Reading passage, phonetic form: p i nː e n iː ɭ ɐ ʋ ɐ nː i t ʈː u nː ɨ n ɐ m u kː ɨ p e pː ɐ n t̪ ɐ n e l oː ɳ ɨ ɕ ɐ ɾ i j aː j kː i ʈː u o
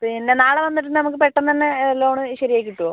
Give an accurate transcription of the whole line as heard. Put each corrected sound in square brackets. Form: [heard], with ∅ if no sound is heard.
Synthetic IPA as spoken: p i nː e n [aː] ɭ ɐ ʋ ɐ nː i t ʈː u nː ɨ n ɐ m u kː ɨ p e [ʈː] ɐ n t̪ ɐ [nː] e l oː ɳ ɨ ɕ ɐ ɾ i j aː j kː i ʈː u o